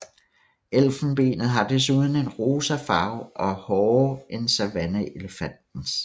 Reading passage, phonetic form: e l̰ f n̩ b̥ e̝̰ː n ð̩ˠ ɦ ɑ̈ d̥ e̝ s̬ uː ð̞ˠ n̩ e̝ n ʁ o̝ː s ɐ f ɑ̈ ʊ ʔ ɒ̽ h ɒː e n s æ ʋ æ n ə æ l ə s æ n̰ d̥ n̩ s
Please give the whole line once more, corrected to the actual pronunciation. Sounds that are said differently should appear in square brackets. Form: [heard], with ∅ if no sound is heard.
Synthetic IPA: e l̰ f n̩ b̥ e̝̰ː n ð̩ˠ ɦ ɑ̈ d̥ e̝ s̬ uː ð̞ˠ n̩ e̝ n ʁ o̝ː s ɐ f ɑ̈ ʊ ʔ ɒ̽ h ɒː e n s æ ʋ æ n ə [e] l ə [f] æ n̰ d̥ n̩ s